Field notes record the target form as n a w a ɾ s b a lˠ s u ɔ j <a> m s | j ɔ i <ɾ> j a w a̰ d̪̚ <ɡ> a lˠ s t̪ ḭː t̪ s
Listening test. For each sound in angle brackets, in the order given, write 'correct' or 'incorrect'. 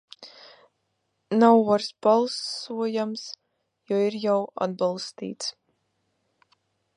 correct, correct, incorrect

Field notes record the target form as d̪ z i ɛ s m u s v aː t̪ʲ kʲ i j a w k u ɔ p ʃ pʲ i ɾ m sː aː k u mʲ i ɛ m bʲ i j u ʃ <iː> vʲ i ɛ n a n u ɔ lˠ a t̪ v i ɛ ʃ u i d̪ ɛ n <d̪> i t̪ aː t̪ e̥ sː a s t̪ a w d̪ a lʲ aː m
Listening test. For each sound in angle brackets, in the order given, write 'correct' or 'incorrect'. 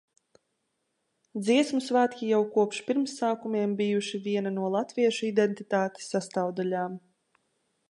incorrect, incorrect

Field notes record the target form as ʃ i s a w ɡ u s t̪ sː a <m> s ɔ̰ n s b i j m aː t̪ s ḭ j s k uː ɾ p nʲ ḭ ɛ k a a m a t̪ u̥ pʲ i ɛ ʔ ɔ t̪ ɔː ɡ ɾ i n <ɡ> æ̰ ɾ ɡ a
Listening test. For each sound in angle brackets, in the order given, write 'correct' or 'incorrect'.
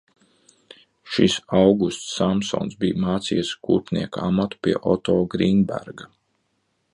correct, incorrect

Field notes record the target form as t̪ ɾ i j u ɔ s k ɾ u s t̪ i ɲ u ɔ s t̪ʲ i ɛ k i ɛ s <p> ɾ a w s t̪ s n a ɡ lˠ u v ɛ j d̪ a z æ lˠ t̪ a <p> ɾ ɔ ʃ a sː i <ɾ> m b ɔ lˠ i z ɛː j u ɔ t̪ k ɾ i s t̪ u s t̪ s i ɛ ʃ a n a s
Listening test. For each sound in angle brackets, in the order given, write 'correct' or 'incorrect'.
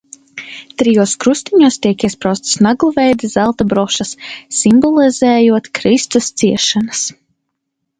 correct, incorrect, incorrect

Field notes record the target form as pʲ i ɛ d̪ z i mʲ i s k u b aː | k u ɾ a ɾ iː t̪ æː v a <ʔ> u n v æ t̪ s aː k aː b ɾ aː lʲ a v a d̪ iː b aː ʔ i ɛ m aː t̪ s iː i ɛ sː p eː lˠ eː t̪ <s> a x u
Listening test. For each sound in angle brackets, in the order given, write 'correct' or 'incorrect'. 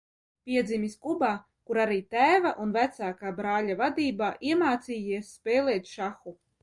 correct, incorrect

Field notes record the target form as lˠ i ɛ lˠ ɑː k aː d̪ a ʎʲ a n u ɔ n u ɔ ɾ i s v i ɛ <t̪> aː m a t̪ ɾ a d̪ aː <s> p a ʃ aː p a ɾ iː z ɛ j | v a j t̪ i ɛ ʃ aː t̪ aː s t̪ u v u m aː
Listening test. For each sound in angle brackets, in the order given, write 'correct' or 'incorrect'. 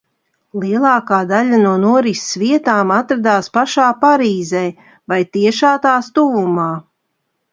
correct, correct

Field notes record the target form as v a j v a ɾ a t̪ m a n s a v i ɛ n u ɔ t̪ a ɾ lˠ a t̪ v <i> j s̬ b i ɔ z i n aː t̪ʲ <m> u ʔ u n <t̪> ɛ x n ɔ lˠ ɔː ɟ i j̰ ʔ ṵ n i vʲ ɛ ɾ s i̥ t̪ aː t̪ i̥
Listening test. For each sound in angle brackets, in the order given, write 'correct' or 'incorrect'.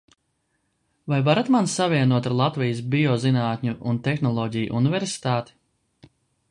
correct, incorrect, correct

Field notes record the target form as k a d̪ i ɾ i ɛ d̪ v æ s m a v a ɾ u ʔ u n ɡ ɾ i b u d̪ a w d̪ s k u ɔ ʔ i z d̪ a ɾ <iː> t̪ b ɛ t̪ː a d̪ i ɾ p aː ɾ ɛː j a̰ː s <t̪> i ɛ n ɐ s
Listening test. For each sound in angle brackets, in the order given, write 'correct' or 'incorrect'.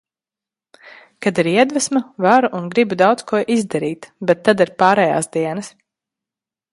correct, incorrect

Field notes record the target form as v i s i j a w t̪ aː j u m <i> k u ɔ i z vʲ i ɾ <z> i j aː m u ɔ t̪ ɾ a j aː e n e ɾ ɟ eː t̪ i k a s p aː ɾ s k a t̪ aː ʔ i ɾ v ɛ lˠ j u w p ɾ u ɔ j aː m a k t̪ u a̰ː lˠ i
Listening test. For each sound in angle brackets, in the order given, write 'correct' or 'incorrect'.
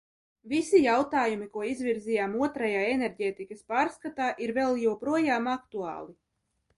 correct, correct

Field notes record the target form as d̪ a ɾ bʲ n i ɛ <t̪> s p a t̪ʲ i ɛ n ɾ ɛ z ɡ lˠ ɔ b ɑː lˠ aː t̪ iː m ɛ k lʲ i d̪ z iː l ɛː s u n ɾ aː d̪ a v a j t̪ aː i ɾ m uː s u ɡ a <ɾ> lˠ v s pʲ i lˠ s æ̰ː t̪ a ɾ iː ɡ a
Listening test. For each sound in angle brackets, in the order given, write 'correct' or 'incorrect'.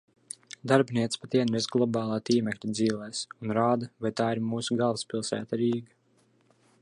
correct, incorrect

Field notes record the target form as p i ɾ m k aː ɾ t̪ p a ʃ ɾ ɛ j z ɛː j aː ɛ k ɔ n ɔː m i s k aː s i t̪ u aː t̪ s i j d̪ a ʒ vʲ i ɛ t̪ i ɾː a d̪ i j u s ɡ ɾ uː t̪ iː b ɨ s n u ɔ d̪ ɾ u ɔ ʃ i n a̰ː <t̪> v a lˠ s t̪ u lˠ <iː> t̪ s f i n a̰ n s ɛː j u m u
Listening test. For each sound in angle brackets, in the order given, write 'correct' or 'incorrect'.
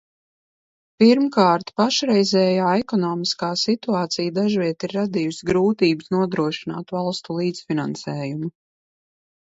correct, correct

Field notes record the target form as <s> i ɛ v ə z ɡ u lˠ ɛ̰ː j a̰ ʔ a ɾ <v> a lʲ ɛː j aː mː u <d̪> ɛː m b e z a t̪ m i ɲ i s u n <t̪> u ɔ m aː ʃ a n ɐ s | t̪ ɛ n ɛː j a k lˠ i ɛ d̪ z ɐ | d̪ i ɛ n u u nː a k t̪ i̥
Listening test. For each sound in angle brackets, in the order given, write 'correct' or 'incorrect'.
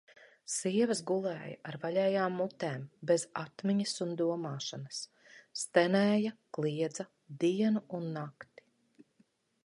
correct, correct, incorrect, incorrect

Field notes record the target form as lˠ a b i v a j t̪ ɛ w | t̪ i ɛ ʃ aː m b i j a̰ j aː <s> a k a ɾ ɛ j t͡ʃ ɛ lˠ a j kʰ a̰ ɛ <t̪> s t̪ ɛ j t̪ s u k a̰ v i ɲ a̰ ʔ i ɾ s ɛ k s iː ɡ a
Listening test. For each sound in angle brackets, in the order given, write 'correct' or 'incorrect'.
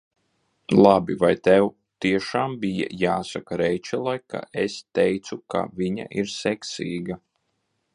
correct, incorrect

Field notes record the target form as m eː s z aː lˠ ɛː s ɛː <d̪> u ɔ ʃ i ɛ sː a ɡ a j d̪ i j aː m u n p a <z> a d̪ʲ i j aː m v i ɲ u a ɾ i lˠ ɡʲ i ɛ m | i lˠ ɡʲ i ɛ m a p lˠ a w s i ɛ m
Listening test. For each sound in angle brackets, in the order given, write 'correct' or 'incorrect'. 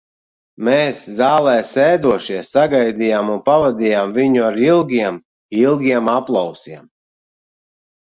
correct, incorrect

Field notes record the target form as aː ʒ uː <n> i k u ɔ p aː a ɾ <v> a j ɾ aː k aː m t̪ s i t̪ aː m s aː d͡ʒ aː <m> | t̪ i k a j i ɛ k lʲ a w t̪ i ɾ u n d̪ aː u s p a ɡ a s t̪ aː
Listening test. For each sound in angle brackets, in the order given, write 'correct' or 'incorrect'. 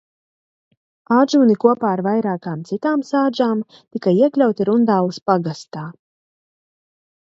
correct, correct, correct

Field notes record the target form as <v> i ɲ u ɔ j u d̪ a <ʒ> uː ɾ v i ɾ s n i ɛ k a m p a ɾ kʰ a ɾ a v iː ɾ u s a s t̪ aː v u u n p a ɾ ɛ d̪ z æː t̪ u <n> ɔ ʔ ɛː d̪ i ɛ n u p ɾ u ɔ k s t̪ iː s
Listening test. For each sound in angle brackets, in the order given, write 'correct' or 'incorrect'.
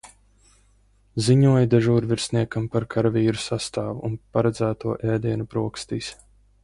incorrect, correct, incorrect

